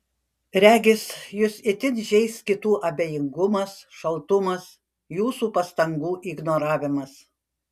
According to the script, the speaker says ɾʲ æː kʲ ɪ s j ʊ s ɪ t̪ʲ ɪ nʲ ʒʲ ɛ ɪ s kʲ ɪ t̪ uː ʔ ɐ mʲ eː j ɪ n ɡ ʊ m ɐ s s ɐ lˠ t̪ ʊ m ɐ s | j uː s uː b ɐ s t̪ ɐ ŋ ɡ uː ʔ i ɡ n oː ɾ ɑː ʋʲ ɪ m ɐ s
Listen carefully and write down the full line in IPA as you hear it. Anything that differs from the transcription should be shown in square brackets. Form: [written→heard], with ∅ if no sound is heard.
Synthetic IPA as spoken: ɾʲ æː [kʲ→ɡʲ] ɪ s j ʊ s ɪ t̪ʲ ɪ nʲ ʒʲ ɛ ɪ s kʲ ɪ t̪ uː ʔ ɐ [mʲ→bʲ] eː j ɪ [n→ŋ] ɡ ʊ m ɐ s [s→ʃ] ɐ lˠ t̪ ʊ m ɐ s | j uː s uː [b→p] ɐ s t̪ ɐ ŋ ɡ uː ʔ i ɡ n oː ɾ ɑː ʋʲ ɪ m ɐ s